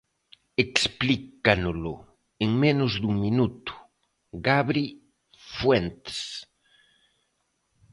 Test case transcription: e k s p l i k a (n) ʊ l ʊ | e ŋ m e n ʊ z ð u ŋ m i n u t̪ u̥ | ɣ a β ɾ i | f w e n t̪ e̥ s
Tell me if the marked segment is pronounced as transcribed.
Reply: yes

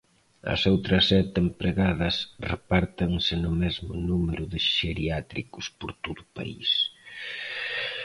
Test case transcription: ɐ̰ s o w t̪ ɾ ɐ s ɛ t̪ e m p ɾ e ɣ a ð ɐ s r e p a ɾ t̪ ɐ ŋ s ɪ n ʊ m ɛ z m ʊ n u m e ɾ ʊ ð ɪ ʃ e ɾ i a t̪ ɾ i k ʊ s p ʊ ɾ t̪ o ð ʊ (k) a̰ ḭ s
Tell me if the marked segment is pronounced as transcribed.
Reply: no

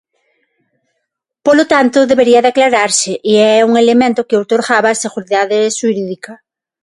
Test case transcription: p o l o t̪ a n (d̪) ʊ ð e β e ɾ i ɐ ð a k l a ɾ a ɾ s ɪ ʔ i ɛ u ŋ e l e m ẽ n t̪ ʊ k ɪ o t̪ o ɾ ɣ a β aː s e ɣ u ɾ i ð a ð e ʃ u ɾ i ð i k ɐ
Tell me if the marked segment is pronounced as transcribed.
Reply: no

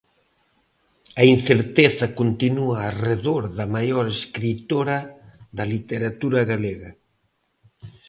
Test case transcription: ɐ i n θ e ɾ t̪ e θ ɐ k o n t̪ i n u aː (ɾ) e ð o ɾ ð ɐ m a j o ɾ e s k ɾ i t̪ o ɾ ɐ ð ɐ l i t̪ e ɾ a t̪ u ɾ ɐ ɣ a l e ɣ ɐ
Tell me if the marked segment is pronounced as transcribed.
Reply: no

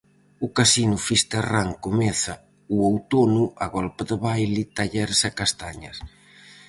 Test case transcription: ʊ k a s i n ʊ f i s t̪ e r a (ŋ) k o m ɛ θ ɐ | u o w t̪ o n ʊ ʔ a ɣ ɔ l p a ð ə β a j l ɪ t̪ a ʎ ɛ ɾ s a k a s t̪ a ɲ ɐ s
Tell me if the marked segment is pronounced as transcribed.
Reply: yes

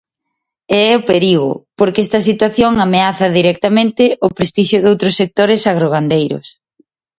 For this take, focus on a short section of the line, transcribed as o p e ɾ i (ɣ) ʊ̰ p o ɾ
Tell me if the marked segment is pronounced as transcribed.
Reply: yes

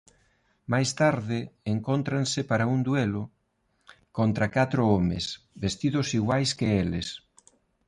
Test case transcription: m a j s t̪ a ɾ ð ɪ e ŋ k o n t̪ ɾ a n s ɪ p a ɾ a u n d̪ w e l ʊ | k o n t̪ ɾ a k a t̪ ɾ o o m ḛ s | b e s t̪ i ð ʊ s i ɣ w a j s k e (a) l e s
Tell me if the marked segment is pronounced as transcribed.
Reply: no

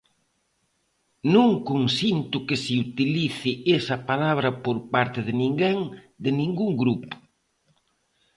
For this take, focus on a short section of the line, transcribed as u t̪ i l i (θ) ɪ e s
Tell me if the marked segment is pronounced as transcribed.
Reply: yes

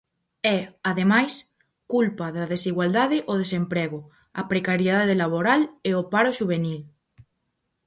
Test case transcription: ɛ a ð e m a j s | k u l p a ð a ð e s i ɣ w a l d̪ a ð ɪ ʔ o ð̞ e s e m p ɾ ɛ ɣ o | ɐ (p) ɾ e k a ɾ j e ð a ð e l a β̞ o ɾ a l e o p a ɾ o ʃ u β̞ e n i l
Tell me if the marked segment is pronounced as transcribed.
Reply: yes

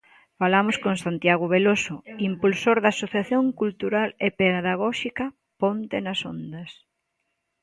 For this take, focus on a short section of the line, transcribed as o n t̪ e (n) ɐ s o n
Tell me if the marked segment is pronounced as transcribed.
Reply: yes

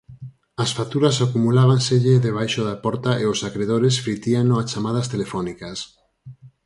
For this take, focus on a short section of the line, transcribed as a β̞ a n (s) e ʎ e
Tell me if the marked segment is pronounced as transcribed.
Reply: yes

